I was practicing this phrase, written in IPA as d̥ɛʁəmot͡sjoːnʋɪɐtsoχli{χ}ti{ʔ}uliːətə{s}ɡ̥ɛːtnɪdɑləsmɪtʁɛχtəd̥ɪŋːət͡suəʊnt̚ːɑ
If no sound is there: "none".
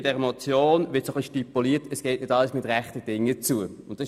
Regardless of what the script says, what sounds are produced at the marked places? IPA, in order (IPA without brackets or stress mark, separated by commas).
ʃ, p, s